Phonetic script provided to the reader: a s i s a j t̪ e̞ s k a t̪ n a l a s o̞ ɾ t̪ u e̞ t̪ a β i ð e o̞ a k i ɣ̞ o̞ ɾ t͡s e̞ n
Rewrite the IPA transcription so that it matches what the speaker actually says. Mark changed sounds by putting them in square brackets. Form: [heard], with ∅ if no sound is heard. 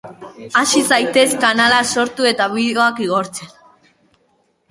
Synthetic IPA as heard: a s i s a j t̪ e̞ s k a [∅] n a l a s o̞ ɾ t̪ u e̞ t̪ a β i ð e o̞ a k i ɣ̞ o̞ ɾ t͡s e̞ n